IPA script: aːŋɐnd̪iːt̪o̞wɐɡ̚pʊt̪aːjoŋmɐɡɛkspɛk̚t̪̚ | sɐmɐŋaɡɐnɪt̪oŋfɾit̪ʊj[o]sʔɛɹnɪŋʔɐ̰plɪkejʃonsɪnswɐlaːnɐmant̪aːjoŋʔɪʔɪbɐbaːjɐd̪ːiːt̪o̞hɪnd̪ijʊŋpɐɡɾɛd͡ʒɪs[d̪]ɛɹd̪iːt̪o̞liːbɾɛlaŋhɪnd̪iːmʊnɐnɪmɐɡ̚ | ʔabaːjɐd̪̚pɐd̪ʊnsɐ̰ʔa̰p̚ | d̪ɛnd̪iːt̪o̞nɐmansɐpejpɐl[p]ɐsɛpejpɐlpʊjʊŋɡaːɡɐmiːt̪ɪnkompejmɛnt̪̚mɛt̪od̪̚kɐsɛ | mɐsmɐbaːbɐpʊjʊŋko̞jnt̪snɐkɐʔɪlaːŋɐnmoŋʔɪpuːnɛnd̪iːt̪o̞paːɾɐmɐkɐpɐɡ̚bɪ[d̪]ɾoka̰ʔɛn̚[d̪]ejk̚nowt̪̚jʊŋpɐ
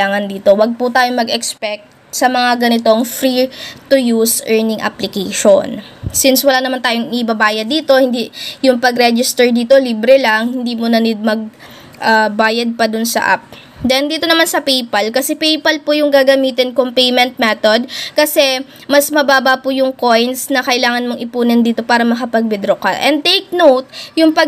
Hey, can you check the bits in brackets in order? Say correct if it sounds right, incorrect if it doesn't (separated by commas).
incorrect, incorrect, incorrect, correct, incorrect